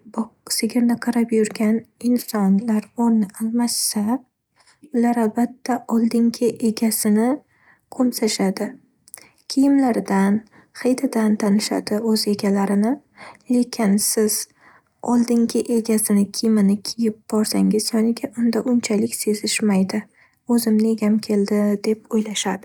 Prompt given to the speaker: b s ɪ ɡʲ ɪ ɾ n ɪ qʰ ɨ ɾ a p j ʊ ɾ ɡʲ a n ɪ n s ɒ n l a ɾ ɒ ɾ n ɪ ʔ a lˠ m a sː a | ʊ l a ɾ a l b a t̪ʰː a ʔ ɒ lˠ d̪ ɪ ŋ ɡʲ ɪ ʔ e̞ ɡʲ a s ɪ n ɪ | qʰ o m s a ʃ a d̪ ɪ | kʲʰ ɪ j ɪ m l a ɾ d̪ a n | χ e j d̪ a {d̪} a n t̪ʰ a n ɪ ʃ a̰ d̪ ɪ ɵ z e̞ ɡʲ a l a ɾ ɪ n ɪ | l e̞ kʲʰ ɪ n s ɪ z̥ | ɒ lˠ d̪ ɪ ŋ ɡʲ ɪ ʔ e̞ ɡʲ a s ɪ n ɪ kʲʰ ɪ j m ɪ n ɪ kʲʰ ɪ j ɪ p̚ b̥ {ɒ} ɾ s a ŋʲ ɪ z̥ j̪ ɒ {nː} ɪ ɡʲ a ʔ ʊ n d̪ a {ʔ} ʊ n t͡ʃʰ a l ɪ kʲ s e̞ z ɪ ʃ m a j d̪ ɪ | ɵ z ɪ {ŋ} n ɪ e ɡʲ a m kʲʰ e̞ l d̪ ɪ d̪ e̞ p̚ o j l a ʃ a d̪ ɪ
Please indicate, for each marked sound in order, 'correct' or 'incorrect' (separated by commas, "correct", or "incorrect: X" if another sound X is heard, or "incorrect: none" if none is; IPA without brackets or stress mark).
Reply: correct, correct, incorrect: n, correct, incorrect: m